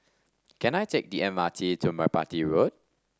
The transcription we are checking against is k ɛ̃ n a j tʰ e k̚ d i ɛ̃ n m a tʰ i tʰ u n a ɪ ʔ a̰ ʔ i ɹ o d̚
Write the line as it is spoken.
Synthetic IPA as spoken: k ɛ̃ n a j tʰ e k̚ d i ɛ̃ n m a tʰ i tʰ u m a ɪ p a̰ t i ɹ o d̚